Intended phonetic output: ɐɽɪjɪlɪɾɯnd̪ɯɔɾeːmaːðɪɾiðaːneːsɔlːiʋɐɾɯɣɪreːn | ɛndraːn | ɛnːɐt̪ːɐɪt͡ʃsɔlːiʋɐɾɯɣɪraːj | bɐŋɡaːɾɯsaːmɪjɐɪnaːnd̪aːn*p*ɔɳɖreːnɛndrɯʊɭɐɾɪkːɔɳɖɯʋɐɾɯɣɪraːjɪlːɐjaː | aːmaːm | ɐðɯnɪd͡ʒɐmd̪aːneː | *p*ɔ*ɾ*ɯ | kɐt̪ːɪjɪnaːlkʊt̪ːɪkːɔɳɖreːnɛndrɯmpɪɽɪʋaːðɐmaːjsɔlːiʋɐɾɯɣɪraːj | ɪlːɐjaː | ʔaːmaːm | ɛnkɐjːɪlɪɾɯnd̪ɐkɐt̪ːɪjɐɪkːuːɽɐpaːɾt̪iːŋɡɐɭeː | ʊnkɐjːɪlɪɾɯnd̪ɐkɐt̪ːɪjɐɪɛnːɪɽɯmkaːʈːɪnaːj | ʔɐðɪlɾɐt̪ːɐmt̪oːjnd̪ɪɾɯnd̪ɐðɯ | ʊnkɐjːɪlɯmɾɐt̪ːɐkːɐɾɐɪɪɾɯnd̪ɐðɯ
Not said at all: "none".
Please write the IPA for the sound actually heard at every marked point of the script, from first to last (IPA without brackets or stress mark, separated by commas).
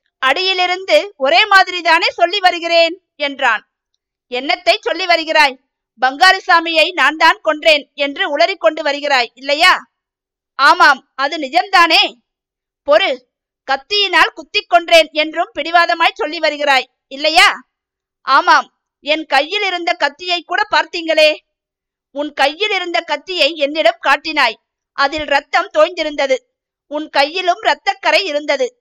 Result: k, p, ɾ